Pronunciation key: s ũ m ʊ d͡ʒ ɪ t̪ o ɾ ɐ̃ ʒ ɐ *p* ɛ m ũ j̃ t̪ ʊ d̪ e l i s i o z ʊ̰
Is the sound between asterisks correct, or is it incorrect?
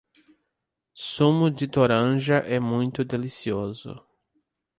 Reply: incorrect